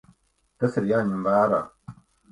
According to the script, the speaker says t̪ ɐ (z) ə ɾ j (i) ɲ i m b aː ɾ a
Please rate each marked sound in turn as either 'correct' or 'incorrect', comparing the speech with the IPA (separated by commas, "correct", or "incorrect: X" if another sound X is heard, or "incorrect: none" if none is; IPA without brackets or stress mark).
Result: incorrect: s, incorrect: a